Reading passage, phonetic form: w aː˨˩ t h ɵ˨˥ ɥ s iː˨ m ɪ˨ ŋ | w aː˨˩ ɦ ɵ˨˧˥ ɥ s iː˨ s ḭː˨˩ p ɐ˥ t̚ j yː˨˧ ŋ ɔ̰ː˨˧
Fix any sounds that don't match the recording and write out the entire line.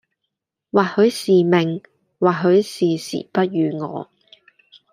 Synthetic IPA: w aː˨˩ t h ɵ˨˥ ɥ s iː˨ m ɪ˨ ŋ | w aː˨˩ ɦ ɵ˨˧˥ ɥ s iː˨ s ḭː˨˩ p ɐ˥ t̚ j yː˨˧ ŋ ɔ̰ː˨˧